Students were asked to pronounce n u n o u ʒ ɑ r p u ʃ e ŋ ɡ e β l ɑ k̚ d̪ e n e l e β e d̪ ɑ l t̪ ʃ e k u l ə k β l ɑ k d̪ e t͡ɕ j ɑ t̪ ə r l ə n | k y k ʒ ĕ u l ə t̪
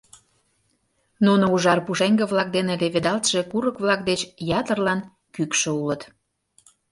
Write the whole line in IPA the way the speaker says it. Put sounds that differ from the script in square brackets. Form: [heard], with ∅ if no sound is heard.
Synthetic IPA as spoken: n u n o u ʒ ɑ r p u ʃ e ŋ ɡ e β l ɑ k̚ d̪ e n e l e β e d̪ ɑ l t̪ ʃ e k u [ɾ] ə k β l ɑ k d̪ e t͡ɕ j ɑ t̪ ə r l [ɑ] n | k y k [ʃ] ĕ u l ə t̪

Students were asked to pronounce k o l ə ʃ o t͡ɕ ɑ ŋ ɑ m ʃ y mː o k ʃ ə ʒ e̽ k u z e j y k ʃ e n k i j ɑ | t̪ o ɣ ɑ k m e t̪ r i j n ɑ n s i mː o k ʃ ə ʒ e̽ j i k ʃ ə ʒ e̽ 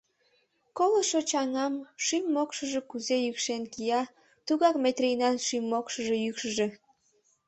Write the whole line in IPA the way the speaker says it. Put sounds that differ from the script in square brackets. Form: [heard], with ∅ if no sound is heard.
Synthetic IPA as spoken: k o l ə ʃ o t͡ɕ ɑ ŋ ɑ m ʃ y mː o k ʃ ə ʒ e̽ k u z e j y k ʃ e n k i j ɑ | t̪ [u] ɣ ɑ k m e t̪ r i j n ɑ n [ʃ] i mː o k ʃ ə ʒ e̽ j [y] k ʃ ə ʒ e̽

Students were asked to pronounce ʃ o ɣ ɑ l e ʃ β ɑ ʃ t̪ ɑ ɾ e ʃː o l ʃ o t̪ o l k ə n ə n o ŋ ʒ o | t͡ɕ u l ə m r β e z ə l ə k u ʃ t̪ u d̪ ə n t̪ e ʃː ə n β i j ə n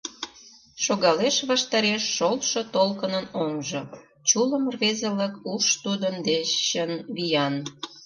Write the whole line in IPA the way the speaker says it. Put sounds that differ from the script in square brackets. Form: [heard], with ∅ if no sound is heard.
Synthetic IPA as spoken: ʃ o ɣ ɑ l e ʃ β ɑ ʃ t̪ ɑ ɾ e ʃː o l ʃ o t̪ o l k ə n ə n o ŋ ʒ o | t͡ɕ u l ə m r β e z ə l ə k u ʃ t̪ u d̪ ə n [d̪] e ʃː ə n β i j [ɑ] n

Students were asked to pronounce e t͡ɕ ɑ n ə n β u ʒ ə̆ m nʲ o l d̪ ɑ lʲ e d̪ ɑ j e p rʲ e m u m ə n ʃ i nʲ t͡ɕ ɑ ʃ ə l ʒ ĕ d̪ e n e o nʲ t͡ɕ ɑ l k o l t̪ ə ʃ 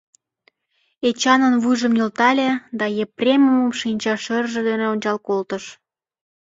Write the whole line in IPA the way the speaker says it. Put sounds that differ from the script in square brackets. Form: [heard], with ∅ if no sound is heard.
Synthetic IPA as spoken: e t͡ɕ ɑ n ə n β u ʒ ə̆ m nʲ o l [t̪] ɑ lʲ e d̪ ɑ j e p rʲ e m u m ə [m] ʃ i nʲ t͡ɕ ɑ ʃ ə [r] ʒ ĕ d̪ e n e o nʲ t͡ɕ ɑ l k o l t̪ ə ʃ

